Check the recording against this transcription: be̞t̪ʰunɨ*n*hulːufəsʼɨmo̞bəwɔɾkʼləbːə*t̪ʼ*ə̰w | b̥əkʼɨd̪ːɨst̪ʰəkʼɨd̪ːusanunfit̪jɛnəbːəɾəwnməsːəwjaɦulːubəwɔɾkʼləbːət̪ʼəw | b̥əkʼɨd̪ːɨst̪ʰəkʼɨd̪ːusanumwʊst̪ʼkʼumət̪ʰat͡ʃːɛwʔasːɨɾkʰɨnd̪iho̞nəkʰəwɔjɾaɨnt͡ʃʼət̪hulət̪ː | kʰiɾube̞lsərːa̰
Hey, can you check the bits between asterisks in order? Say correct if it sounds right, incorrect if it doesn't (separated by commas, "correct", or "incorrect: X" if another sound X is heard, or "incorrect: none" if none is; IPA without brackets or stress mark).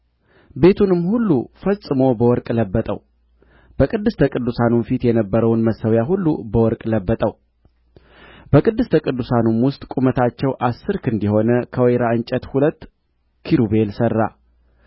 incorrect: m, correct